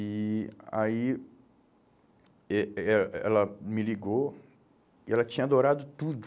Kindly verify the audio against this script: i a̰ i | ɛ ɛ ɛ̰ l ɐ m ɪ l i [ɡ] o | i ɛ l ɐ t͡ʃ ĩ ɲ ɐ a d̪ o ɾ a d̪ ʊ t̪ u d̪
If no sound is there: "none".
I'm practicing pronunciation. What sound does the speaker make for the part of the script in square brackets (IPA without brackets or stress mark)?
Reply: ɡ